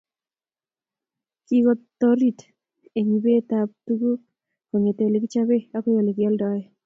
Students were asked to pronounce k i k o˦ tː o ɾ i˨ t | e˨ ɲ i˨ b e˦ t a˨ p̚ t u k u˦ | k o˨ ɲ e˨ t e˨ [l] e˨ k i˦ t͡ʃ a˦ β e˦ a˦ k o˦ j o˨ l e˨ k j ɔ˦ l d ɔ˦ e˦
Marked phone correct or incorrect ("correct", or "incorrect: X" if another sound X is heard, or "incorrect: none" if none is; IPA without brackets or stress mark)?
correct